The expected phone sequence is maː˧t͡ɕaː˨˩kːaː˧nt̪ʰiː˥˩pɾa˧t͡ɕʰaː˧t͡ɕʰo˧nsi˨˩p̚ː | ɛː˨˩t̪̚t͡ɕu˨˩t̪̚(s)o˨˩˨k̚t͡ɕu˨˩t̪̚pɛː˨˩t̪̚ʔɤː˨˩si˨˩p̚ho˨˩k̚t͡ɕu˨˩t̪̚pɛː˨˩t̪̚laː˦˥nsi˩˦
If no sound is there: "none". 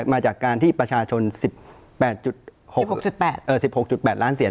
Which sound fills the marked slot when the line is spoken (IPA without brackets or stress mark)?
h